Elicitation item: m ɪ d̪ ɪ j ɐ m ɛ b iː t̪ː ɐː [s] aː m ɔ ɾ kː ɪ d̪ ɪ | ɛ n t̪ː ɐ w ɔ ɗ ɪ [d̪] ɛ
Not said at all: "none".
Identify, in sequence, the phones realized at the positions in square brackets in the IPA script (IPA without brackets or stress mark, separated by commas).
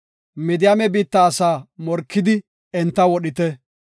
s, t̪